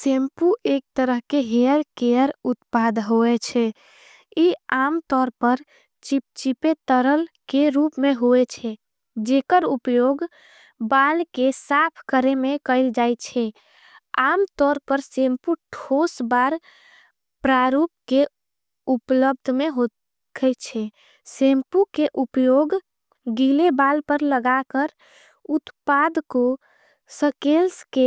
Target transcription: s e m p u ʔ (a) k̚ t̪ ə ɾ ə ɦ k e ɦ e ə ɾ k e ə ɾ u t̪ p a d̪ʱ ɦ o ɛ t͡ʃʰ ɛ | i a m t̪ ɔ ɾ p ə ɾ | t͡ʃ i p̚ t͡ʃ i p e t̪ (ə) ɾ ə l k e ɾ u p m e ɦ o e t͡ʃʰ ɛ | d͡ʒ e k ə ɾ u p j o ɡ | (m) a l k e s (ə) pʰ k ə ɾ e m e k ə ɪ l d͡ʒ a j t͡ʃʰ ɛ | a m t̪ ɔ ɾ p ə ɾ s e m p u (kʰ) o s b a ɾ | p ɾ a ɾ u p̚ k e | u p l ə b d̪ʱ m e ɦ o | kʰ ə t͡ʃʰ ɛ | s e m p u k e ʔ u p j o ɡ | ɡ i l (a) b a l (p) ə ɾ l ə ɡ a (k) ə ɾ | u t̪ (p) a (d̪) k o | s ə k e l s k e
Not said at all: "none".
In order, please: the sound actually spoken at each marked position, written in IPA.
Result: e, ə, b, a, ʈʰ, e, p, k, p, d̪

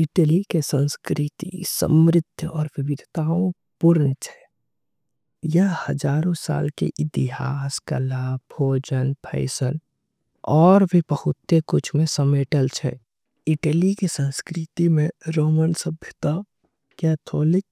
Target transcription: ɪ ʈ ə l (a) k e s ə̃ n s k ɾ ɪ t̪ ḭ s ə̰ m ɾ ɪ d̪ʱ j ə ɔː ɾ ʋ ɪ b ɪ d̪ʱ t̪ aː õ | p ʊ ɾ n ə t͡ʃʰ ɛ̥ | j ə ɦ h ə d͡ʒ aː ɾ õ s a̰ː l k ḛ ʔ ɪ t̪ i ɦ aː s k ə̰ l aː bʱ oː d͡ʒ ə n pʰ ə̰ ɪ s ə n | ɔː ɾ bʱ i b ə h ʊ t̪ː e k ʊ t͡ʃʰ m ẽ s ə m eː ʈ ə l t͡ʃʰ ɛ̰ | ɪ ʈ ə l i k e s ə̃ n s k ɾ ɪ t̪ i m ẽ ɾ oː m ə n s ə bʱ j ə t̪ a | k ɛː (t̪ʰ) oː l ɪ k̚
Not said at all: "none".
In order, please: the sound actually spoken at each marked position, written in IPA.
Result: i, t̪ʰ

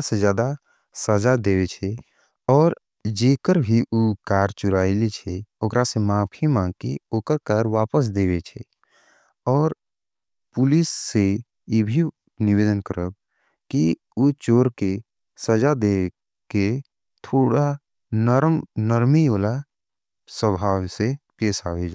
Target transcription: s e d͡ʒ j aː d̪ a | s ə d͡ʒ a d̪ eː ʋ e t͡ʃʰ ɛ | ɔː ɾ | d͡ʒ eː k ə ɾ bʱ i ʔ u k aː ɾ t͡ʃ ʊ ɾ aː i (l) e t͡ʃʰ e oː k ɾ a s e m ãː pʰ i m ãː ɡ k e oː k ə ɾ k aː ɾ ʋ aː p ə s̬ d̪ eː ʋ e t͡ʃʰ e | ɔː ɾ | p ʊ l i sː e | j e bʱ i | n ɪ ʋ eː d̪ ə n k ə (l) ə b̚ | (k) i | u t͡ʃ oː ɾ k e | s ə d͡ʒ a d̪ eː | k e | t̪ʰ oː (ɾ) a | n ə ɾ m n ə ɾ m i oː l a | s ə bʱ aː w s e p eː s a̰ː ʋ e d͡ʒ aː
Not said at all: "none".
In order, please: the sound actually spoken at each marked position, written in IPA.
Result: l, ɾ, k, ɽ

